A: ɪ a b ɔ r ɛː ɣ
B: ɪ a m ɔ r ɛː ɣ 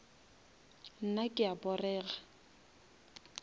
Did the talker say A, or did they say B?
A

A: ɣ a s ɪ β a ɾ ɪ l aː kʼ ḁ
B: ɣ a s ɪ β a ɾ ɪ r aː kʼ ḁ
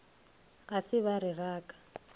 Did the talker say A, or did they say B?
B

